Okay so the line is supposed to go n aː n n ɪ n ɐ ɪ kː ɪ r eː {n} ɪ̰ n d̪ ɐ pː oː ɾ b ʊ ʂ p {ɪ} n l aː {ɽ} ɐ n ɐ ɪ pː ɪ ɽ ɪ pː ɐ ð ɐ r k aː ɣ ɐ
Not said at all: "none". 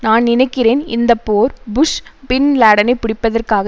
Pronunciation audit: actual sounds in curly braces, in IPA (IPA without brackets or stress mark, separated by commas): n, ɪ, ɽ